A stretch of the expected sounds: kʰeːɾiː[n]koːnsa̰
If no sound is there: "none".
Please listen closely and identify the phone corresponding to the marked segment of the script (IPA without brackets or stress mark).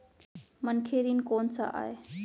n